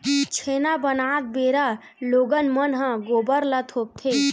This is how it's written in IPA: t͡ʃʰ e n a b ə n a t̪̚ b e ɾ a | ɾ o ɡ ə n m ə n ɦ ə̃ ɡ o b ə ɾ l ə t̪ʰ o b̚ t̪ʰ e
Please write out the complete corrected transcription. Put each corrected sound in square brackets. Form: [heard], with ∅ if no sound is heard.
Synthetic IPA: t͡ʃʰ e n a b ə n a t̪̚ b e ɾ a | [l] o ɡ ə n m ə n ɦ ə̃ ɡ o b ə ɾ l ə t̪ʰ o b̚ t̪ʰ e